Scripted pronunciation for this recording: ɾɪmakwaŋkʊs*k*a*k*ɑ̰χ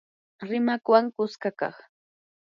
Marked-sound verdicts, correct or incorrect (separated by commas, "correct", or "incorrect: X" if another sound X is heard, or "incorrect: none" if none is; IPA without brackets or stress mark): correct, correct